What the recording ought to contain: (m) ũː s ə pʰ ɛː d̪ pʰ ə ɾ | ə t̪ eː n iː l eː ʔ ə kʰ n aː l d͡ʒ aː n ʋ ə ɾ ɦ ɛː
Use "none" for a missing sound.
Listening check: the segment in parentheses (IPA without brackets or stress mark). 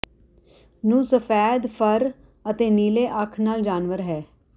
n